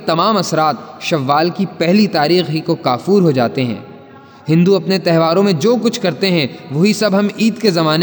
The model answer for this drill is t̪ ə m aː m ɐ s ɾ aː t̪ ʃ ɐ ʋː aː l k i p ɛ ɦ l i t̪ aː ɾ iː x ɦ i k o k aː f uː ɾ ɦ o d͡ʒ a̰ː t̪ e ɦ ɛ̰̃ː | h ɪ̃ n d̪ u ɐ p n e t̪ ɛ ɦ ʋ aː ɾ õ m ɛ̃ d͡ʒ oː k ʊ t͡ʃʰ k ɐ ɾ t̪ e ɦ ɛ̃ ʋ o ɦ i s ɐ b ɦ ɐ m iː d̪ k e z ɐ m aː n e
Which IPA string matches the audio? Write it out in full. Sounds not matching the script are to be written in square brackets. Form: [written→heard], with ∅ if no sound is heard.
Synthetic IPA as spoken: t̪ [ə→ɐ] m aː m ɐ s ɾ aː t̪ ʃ ɐ ʋː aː l k i p ɛ ɦ l i t̪ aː ɾ iː x ɦ i k o k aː f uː ɾ ɦ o d͡ʒ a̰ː t̪ e ɦ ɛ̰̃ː | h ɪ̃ n d̪ u ɐ p n e t̪ ɛ ɦ ʋ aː ɾ õ m [ɛ̃→ẽ] d͡ʒ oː k ʊ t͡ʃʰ k ɐ ɾ t̪ e ɦ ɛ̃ ʋ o ɦ i s ɐ b ɦ ɐ m iː d̪ k e z ɐ m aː n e